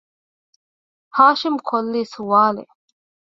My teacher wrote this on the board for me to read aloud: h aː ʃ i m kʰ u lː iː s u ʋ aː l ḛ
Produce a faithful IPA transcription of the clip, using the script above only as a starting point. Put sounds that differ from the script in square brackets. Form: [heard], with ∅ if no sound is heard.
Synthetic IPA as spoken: h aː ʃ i m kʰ [o] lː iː s u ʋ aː l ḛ